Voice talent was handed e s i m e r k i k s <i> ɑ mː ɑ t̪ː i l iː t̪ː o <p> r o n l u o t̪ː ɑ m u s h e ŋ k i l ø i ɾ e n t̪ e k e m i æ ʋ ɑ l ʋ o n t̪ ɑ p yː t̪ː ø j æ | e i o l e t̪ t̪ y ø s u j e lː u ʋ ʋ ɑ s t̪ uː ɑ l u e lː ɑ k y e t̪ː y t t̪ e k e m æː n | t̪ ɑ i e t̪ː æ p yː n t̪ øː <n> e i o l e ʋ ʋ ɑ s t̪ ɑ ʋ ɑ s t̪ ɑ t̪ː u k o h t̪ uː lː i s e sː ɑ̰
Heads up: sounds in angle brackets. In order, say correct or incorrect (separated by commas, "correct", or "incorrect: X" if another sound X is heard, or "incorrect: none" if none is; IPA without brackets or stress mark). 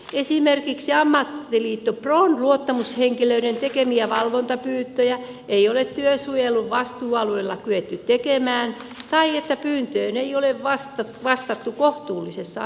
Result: correct, correct, correct